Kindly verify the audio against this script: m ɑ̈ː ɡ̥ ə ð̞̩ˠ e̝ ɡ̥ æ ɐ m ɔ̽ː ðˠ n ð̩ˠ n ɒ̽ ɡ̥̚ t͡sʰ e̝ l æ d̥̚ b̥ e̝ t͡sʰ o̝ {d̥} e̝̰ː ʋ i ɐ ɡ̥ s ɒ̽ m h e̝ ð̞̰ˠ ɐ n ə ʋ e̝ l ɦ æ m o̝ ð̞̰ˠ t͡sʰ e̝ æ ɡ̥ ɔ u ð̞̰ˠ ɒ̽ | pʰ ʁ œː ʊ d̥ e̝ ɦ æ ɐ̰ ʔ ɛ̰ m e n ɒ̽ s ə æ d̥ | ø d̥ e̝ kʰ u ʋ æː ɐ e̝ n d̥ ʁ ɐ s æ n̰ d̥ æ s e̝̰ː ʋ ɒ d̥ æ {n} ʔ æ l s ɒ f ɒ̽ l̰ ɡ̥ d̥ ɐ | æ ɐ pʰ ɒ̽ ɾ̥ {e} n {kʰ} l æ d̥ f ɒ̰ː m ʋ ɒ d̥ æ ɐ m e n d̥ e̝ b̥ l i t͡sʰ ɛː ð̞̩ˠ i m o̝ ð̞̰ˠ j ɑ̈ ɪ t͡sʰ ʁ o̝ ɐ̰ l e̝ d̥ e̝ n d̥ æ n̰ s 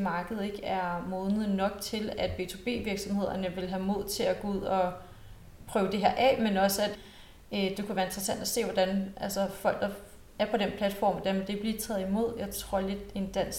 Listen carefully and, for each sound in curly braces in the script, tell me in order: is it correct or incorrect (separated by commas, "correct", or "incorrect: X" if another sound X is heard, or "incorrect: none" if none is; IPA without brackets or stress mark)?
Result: incorrect: b̥, correct, correct, incorrect: pʰ